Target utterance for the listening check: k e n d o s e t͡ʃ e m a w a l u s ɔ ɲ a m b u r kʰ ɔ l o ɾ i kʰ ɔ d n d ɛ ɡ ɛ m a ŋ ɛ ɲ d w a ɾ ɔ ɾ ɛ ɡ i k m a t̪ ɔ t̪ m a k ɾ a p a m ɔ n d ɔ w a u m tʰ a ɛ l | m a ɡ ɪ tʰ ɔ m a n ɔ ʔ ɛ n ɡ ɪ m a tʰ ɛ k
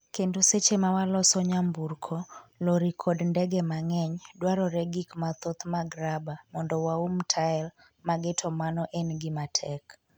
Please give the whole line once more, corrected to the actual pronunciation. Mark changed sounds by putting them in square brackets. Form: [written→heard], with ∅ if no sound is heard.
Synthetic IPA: k e n d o s e t͡ʃ e m a w a l [u→ɔ] s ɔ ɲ a m b u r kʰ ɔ l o ɾ i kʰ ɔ d n d ɛ ɡ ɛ m a ŋ ɛ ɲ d w a ɾ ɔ ɾ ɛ ɡ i k m a t̪ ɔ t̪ m a [k→ɡ] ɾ a [p→b] a m ɔ n d ɔ w a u m tʰ a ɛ l | m a ɡ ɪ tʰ ɔ m a n ɔ ʔ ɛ n ɡ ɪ m a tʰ ɛ k